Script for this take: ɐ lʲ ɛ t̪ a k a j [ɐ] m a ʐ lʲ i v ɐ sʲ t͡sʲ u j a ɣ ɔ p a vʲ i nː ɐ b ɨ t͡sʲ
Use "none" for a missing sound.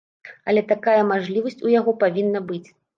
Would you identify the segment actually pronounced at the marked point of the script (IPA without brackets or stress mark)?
ɐ